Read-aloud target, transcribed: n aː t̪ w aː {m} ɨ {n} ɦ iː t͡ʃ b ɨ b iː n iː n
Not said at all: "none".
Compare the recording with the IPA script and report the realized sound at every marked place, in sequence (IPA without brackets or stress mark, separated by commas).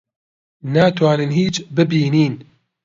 n, n